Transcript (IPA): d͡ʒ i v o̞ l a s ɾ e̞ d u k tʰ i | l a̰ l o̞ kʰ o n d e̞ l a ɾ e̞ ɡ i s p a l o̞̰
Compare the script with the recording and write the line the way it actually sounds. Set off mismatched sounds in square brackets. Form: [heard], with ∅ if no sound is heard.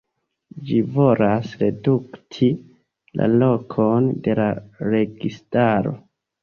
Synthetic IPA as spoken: d͡ʒ i v o̞ l a s ɾ e̞ d u k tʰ i | l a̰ l o̞ kʰ o n d e̞ l a ɾ e̞ ɡ i s [t] a [ɾ] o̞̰

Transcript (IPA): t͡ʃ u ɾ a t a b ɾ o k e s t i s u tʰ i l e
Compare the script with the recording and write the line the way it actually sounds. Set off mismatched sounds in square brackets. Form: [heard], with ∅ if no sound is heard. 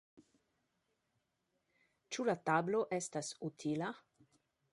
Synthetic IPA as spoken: t͡ʃ u [l] a t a b [l] o [ʔ] e s t [a] s u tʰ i l [a]

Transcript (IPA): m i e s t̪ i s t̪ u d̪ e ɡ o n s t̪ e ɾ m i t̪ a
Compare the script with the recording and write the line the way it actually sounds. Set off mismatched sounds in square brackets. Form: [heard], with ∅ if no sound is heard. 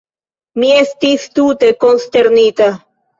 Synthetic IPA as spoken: m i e s t̪ i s t̪ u [t̪] e [k] o n s t̪ e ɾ [n] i t̪ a

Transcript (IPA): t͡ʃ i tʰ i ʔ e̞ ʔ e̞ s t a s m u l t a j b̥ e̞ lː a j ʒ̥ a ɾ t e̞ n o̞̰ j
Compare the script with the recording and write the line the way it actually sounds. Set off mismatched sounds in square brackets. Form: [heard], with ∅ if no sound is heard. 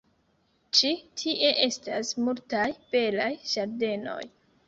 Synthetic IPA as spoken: t͡ʃ i tʰ i ʔ e̞ ʔ e̞ s t a s m u l t a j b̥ e̞ [l] a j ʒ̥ a ɾ [d] e̞ n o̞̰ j

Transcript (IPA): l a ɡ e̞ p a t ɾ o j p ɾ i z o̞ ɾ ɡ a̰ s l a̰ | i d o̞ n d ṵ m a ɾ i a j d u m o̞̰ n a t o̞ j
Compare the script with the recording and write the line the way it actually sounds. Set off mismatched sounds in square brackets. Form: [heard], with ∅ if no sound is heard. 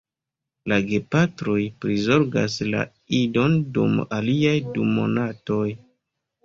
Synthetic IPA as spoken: l a ɡ e̞ p a t ɾ o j p ɾ i z o̞ ɾ ɡ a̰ s l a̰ | i d o̞ n d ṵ m a [l] i a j d u m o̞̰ n a t o̞ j

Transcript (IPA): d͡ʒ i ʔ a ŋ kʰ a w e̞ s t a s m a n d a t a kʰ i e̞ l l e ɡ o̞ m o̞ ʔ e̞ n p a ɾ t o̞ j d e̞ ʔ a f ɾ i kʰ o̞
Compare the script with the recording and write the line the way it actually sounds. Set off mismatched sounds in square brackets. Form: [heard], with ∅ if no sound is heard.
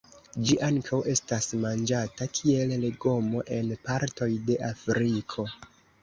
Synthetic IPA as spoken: d͡ʒ i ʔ a ŋ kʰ a w e̞ s t a s m a n [d͡ʒ] a t a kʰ i e̞ l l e ɡ o̞ m o̞ ʔ e̞ n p a ɾ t o̞ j d e̞ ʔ a f ɾ i kʰ o̞

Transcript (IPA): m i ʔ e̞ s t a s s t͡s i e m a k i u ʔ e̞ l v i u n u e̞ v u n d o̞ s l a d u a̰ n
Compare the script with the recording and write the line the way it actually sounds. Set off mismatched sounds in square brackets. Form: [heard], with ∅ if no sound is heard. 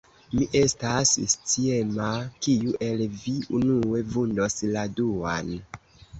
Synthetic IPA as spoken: m i ʔ e̞ s t a s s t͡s i e m a k i u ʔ e̞ l v i u n u e̞ v u n d o̞ s l a d u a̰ n

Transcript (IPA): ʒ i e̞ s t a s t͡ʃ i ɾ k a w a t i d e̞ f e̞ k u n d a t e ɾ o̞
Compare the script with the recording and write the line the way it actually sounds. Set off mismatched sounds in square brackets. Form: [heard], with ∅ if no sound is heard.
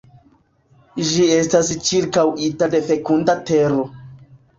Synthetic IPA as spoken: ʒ i e̞ s t a s t͡ʃ i ɾ k a w [i] t [a] d e̞ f e̞ k u n d a t e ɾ o̞

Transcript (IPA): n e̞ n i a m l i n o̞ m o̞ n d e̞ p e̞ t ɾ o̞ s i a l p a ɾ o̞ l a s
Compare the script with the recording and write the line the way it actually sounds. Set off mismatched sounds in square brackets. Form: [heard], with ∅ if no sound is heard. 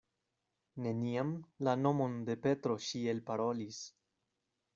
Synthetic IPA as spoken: n e̞ n i a m l [a] n o̞ m o̞ n d e̞ p e̞ t ɾ o̞ [ʃ] i [e] l p a ɾ o̞ l [i] s

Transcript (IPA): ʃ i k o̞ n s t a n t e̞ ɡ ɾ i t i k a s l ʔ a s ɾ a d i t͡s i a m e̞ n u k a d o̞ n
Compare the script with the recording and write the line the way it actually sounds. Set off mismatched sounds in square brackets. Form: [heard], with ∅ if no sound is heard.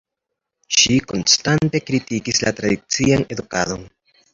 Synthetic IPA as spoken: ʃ i k o̞ n s t a n t e̞ [k] ɾ i t i k [i] s l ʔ a [t] ɾ a d i t͡s i a [n] e̞ [d] u k a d o̞ n

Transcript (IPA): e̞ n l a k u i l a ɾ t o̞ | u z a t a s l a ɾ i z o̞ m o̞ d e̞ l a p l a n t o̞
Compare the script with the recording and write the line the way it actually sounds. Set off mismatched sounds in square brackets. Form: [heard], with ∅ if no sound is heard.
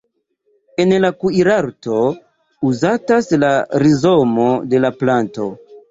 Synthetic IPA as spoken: e̞ n l a k u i [ɾ] a ɾ t o̞ | u z a t a s l a ɾ i z o̞ m o̞ d e̞ l a p l a n t o̞

